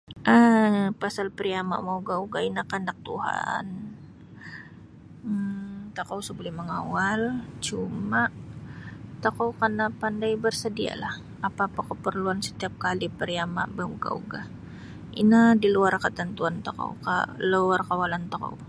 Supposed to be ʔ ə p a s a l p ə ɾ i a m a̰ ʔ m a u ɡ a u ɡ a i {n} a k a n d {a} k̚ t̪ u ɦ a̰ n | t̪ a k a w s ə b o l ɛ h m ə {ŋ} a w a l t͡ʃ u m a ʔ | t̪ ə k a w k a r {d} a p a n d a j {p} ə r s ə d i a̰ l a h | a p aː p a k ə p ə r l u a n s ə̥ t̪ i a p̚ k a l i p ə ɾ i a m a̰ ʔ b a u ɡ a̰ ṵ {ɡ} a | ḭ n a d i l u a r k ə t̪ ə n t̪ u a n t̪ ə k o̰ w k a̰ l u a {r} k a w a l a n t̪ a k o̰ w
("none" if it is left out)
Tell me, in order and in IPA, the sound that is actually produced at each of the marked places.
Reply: n, a, ŋ, n, b, ɡ, r

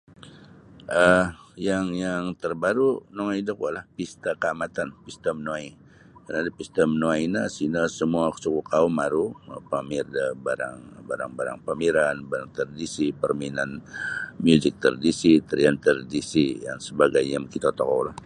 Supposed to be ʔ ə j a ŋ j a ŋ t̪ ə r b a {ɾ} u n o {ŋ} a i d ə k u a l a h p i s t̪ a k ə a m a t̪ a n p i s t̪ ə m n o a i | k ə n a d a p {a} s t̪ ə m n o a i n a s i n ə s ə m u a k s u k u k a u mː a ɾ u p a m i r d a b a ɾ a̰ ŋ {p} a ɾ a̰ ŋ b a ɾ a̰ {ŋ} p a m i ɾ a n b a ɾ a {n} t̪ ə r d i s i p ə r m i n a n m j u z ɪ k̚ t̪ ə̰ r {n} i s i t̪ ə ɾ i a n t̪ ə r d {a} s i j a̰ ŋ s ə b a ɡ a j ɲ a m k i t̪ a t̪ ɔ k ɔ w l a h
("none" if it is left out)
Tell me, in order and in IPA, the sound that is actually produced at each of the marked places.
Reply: ɾ, ŋ, i, b, ŋ, ŋ, d, i

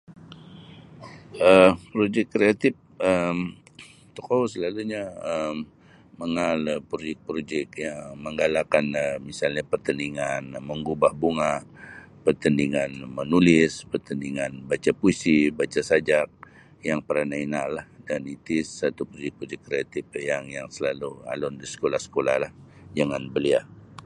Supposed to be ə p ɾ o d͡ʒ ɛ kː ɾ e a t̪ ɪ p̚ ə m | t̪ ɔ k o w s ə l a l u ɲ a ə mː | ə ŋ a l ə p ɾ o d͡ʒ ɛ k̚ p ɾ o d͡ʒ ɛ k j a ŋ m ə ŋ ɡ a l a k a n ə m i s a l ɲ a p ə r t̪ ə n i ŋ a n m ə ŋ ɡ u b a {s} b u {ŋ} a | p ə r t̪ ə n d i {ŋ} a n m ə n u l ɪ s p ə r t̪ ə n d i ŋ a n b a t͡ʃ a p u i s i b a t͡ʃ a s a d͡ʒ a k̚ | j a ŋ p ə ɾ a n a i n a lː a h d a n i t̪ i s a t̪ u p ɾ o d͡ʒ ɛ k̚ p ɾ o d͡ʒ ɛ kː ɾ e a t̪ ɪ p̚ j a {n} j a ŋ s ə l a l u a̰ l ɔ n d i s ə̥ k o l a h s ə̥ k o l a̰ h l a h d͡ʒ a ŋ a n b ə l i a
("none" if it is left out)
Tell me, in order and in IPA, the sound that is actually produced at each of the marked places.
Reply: h, ŋ, ŋ, ŋ

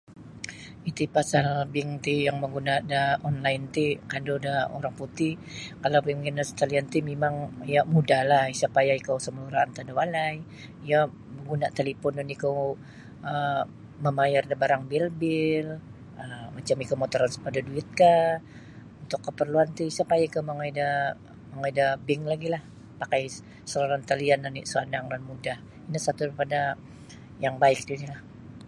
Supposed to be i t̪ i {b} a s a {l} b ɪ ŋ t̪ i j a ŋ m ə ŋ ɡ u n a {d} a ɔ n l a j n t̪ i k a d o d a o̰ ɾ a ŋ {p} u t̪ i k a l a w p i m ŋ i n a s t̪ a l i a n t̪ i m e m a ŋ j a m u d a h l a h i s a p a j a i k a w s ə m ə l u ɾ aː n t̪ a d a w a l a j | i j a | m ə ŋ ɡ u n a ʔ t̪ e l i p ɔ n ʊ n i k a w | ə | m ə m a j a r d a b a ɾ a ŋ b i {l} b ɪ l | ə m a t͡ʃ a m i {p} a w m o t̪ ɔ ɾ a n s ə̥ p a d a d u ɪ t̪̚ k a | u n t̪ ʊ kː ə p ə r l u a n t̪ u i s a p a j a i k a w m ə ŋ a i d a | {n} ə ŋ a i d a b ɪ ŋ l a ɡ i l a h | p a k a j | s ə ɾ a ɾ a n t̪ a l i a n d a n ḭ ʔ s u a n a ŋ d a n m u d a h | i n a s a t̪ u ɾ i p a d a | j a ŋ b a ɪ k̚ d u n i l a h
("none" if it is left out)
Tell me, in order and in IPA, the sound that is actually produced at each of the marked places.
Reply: p, l, d, p, l, k, m

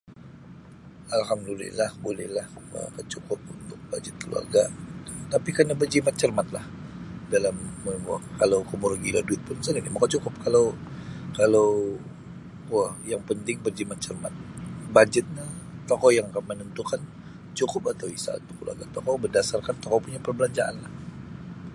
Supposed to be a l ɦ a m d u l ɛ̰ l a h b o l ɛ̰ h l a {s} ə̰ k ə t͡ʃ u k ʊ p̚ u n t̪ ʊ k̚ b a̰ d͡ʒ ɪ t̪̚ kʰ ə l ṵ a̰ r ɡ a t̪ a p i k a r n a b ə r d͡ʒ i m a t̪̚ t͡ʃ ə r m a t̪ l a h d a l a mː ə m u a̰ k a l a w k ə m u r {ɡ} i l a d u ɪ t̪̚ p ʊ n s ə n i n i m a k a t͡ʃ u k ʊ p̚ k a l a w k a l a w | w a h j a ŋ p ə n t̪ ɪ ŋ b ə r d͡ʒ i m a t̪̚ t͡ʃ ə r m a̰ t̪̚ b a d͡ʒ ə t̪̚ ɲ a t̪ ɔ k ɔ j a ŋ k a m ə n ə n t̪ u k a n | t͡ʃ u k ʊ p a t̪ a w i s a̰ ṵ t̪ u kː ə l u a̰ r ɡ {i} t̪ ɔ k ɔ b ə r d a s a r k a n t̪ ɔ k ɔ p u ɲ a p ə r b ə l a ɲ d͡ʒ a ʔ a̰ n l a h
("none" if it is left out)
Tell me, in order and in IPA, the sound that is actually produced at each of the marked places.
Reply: h, ɡ, a

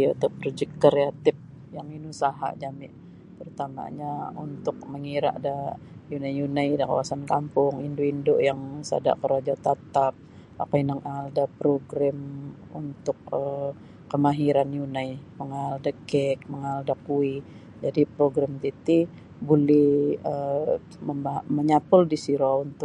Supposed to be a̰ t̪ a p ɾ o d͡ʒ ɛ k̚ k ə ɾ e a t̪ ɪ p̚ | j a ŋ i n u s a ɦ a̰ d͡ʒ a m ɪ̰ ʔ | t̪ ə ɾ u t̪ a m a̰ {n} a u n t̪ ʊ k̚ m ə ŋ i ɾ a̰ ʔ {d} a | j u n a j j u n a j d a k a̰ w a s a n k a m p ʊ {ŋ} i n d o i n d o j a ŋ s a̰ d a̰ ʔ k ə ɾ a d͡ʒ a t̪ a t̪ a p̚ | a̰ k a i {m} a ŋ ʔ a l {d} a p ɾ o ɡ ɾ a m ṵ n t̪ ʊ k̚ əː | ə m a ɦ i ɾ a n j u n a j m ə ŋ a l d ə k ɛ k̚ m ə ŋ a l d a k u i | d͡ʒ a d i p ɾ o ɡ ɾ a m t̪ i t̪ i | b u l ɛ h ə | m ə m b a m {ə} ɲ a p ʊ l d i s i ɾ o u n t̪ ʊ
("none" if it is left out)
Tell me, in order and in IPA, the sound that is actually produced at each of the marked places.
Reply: ɲ, d, ŋ, n, d, ə

